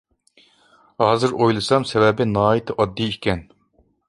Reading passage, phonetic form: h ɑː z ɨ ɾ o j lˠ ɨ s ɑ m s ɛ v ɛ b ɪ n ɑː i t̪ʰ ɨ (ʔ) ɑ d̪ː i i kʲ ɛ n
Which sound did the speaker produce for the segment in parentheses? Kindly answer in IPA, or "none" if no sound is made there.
ʔ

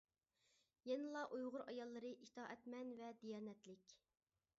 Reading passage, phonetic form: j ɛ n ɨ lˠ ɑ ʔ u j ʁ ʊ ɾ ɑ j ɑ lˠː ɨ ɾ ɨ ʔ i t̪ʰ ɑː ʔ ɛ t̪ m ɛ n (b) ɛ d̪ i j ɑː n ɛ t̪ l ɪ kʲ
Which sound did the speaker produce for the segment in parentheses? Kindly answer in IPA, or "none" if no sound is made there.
v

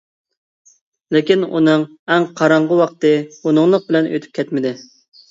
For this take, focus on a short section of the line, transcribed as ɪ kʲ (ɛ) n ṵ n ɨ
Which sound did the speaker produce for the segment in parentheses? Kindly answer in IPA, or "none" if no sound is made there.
i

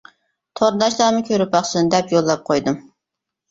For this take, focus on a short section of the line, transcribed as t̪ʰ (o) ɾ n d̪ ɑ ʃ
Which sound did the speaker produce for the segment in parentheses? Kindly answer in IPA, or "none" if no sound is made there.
o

